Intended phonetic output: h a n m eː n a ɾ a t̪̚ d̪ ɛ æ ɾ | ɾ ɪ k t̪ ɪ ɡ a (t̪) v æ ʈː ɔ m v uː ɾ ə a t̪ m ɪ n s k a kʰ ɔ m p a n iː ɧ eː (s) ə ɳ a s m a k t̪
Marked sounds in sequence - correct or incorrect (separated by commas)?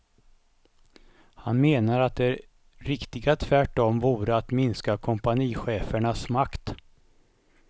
incorrect, incorrect